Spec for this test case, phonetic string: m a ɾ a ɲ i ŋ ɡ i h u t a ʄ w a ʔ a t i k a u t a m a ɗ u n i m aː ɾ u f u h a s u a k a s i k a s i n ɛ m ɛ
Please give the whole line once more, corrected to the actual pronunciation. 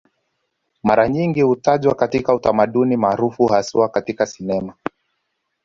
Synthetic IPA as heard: m a ɾ a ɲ i ŋ ɡ i h u t a ʄ w a k a t i k a u t a m a ɗ u n i m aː ɾ u f u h a s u a k a t i k a s i n ɛ m a